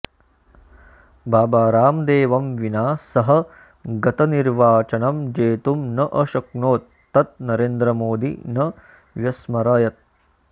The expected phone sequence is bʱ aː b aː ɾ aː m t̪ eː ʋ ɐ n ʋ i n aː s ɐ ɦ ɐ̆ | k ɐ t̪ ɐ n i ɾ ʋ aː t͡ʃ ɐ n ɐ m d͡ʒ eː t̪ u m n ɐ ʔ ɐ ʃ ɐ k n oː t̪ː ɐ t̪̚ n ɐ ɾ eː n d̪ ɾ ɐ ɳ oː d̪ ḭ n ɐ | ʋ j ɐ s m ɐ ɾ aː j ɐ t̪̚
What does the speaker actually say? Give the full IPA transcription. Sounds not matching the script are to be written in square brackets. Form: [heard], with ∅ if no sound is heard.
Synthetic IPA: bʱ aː b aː ɾ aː m [d̪] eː ʋ ɐ [m] ʋ i n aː s ɐ ɦ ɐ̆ | [ɡ] ɐ t̪ ɐ n i ɾ ʋ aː t͡ʃ ɐ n ɐ m d͡ʒ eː t̪ u m n ɐ ʔ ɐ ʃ ɐ k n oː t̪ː ɐ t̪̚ n ɐ ɾ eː n d̪ ɾ ɐ [m] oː d̪ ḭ n ɐ | ʋ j ɐ s m ɐ ɾ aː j ɐ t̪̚